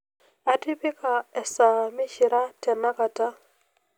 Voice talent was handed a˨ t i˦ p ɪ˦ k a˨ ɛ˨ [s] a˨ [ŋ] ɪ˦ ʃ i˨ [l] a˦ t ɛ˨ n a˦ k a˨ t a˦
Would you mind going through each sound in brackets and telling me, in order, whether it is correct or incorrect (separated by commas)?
correct, incorrect, incorrect